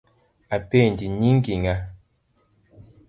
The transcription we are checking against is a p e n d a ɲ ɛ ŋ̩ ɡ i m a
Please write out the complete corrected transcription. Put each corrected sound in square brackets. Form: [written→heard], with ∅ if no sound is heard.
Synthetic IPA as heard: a p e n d [a→i] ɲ [ɛ→i] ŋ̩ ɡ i [m→ŋ] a